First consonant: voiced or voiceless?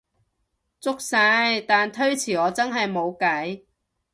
voiceless